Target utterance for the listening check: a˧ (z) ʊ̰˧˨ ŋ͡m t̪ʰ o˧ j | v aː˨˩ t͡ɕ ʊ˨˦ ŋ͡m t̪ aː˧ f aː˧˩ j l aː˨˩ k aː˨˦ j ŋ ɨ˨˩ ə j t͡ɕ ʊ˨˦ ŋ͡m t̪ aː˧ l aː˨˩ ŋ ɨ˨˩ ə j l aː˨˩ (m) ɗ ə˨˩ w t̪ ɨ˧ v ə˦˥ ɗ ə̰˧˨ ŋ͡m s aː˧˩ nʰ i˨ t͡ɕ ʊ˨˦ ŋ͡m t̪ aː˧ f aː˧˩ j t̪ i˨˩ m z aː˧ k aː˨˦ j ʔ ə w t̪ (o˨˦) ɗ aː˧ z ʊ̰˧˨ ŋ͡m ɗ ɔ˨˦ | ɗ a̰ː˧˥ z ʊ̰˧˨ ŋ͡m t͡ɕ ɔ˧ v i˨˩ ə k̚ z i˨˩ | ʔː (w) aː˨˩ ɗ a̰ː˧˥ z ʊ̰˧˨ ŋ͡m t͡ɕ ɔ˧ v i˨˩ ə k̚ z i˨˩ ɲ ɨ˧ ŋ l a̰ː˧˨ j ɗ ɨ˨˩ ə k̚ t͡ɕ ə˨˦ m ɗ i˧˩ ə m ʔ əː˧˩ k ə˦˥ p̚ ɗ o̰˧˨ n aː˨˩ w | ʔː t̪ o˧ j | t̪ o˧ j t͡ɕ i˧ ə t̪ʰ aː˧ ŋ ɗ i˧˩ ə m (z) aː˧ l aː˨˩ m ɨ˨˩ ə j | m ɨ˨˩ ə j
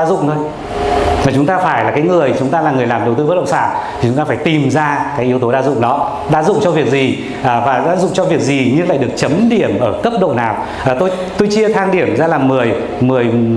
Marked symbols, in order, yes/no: yes, yes, yes, no, yes

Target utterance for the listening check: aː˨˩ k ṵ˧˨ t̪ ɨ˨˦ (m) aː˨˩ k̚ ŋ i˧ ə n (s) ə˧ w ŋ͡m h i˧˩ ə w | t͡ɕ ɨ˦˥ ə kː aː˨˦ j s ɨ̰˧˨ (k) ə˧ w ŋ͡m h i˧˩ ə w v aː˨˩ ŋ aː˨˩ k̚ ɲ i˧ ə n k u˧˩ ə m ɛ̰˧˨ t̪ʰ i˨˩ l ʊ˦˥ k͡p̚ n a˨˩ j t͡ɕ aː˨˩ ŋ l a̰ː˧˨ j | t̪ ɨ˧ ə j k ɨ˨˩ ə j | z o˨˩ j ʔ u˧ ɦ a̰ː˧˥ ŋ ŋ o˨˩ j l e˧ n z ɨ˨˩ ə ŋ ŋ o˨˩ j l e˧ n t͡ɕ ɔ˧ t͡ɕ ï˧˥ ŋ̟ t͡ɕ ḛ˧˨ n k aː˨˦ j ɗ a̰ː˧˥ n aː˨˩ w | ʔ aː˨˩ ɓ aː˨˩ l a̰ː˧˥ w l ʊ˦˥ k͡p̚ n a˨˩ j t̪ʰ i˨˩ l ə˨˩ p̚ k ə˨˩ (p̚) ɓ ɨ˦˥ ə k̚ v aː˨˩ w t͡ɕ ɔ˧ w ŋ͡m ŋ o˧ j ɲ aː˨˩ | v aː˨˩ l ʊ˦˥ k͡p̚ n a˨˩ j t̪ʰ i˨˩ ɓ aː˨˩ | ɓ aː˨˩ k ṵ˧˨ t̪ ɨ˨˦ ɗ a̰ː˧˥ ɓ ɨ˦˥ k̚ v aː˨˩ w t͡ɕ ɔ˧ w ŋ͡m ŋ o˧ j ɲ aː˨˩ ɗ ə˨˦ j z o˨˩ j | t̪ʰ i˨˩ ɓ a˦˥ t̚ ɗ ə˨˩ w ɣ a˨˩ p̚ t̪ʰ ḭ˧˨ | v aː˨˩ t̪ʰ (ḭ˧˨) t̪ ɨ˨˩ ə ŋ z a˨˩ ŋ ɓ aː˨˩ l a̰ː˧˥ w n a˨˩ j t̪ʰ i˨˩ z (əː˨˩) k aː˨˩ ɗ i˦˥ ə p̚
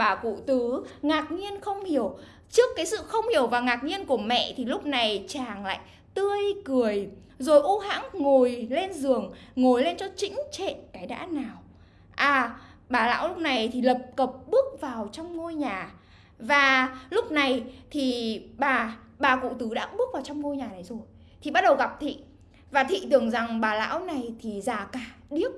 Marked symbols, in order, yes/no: no, no, no, yes, yes, no

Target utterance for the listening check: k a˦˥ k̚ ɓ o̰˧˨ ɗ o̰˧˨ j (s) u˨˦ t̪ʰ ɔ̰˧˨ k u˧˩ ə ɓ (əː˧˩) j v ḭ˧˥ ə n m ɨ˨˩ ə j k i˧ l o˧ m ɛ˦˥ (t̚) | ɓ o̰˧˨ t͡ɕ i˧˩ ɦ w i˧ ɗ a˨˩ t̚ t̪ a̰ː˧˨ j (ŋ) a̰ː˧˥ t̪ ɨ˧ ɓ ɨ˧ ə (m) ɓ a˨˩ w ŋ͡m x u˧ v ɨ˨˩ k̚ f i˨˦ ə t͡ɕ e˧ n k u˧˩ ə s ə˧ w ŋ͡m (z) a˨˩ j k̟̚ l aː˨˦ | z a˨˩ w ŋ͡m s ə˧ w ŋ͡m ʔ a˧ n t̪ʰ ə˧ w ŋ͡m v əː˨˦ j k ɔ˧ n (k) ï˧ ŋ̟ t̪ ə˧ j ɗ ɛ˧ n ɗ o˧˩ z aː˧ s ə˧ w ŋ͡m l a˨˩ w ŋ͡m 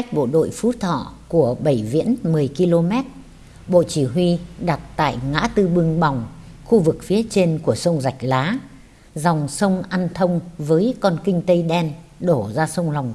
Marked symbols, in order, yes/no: no, no, yes, yes, no, yes, yes

